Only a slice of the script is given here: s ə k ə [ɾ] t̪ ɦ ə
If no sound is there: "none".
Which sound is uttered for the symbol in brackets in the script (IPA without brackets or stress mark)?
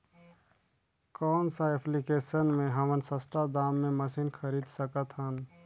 none